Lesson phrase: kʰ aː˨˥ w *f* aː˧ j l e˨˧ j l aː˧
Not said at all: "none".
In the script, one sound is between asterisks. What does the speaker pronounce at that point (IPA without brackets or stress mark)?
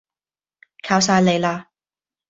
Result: s